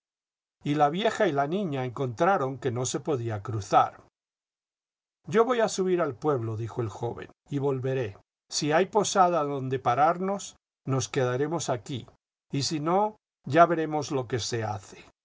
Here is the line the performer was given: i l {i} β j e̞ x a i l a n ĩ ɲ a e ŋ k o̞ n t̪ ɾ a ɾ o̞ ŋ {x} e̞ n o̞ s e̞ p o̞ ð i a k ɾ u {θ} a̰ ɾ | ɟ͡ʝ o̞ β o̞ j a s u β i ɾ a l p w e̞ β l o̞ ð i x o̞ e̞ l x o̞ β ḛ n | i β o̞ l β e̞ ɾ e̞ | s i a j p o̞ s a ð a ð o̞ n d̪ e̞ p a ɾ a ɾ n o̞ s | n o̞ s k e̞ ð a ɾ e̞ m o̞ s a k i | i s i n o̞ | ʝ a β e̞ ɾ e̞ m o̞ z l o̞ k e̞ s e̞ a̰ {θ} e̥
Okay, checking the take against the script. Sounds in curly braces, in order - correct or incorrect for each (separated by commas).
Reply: incorrect, incorrect, correct, correct